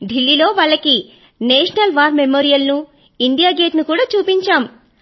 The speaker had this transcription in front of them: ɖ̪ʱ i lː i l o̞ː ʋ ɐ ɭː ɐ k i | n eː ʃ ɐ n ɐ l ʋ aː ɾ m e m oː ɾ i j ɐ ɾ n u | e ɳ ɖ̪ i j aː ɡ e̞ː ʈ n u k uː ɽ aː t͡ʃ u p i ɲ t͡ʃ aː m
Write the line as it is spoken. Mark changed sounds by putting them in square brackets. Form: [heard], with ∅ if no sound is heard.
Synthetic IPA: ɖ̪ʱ i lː i l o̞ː ʋ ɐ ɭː ɐ k i | n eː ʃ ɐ n ɐ l ʋ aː ɾ m e m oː ɾ i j ɐ [l] n u | [i] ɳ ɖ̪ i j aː ɡ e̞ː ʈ n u k uː ɽ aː t͡ʃ [uː] p i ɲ t͡ʃ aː m

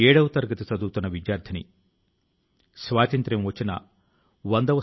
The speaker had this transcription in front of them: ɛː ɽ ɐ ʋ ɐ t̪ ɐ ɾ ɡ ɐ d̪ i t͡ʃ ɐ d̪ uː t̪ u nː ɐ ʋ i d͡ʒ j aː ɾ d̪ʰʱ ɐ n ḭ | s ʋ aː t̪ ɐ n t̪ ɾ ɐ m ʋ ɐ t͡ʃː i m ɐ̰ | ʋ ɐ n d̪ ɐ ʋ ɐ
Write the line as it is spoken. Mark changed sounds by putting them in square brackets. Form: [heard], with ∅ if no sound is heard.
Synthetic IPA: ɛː ɽ ɐ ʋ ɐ t̪ ɐ ɾ ɡ ɐ [t̪] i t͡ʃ ɐ d̪ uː t̪ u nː ɐ ʋ i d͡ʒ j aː ɾ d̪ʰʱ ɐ n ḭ | s ʋ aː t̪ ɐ n t̪ ɾ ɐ m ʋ ɐ t͡ʃː i [n] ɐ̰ | ʋ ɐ n d̪ ɐ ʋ ɐ

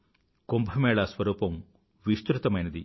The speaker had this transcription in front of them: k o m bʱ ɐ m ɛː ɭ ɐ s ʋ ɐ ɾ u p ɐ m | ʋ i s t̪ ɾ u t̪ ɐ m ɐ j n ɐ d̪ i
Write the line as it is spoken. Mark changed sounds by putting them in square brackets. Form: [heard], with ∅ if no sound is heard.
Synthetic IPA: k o m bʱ ɐ m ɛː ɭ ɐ s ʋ ɐ ɾ [uː] p ɐ m | ʋ i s t̪ ɾ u t̪ ɐ m ɐ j n ɐ d̪ i

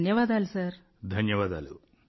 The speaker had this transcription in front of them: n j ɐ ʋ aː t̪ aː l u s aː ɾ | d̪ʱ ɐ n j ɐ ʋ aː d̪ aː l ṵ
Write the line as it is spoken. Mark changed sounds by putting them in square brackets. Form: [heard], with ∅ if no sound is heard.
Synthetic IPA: n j ɐ ʋ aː [d̪] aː l u s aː ɾ | d̪ʱ ɐ n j ɐ ʋ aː d̪ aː l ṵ

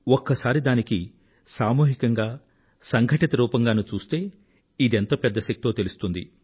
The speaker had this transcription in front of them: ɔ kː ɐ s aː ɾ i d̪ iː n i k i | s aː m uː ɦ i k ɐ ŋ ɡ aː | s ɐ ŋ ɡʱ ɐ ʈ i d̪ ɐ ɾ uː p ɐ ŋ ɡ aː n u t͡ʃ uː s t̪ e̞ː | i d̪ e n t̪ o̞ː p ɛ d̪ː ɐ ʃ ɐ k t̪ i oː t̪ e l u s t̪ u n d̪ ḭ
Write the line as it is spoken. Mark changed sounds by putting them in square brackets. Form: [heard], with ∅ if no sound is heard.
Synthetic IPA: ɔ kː ɐ s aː ɾ i d̪ [aː] n i k i | s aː m uː ɦ i k ɐ ŋ ɡ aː | s ɐ ŋ ɡʱ ɐ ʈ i [t̪] ɐ ɾ uː p ɐ ŋ ɡ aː n u t͡ʃ uː s t̪ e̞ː | i d̪ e n t̪ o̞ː p ɛ d̪ː ɐ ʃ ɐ k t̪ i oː t̪ e l u s t̪ u n d̪ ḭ

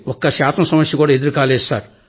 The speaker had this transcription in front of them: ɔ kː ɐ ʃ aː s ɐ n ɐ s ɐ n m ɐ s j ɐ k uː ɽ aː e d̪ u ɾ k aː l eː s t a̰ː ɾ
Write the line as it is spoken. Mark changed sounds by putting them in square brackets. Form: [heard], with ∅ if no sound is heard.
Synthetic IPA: ɔ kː ɐ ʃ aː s ɐ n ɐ s ɐ [∅] m ɐ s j ɐ k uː ɽ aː e d̪ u ɾ k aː l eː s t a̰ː ɾ

